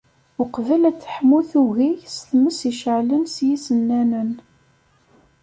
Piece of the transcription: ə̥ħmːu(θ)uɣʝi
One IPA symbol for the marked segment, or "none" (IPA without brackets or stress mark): θ